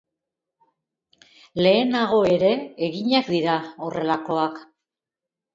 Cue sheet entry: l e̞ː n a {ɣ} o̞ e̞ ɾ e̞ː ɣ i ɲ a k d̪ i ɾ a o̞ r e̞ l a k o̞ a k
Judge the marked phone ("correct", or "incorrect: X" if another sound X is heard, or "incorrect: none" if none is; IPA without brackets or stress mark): correct